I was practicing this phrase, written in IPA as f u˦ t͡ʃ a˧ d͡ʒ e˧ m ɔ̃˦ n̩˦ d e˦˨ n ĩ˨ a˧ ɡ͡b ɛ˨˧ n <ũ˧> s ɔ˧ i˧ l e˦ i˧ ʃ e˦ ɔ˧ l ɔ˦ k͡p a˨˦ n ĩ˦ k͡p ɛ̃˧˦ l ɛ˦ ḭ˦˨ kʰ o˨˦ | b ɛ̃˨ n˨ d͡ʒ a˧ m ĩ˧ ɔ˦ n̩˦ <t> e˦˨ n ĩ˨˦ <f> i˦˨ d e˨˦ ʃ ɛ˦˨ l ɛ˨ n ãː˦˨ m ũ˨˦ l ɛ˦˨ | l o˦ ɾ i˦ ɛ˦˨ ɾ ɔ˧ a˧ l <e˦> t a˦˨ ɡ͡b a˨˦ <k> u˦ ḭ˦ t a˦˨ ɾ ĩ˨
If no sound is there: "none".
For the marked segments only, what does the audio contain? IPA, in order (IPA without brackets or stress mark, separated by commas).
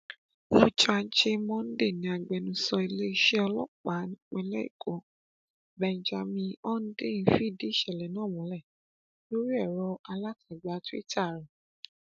ũ˧, d, f, a˦, t